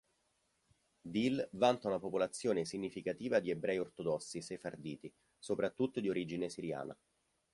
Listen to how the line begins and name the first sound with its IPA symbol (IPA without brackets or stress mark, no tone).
d̪